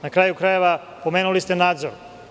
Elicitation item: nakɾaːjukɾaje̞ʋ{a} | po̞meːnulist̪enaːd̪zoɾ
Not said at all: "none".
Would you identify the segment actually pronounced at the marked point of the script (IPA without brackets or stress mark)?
a